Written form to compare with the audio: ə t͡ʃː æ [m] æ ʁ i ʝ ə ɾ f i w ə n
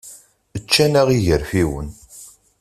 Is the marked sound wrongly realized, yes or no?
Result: yes